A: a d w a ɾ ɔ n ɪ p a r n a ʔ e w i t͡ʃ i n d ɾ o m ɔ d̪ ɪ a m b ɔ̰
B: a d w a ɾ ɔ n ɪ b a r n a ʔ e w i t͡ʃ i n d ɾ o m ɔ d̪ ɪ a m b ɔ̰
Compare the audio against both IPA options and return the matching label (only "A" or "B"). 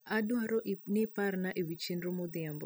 A